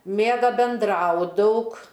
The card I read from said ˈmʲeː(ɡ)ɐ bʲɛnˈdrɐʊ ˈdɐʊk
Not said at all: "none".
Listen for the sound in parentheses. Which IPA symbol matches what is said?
ɡ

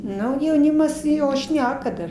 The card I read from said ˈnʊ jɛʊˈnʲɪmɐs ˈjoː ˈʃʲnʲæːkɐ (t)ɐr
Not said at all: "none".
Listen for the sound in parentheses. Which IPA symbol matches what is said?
d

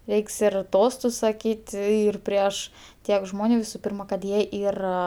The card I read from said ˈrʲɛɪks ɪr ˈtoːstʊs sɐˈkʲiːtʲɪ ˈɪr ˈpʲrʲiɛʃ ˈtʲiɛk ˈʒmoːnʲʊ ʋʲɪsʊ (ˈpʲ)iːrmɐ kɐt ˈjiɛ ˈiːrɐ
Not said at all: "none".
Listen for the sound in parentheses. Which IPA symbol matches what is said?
pʲ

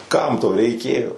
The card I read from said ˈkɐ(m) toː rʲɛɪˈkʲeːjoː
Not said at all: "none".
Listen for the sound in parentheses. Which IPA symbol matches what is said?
m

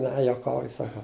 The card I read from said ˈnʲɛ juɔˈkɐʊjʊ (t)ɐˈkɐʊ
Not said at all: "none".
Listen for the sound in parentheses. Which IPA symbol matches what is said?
s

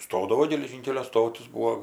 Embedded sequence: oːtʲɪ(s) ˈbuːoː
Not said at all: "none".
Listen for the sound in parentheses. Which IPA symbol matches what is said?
s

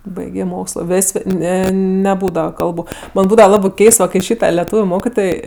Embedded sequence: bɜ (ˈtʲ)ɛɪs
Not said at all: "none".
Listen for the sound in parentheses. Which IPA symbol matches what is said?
kʲ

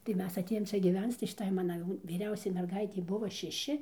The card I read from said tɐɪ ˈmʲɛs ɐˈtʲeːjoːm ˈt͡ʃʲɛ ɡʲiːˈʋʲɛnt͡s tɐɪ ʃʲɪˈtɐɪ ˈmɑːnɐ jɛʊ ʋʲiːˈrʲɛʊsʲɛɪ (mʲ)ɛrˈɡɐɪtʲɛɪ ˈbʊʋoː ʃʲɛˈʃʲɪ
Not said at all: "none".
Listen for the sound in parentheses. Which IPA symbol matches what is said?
mʲ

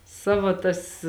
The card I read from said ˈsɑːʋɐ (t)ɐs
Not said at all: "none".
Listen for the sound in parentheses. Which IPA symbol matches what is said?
t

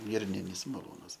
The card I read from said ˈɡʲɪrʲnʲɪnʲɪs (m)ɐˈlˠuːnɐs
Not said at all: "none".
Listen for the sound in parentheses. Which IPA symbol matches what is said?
m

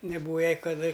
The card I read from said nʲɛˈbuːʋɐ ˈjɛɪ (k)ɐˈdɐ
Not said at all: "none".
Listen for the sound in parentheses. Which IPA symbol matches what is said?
k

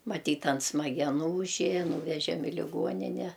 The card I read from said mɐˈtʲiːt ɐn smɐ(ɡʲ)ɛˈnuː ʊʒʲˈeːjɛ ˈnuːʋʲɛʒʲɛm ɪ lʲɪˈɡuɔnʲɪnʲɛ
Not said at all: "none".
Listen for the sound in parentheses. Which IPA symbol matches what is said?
ɡʲ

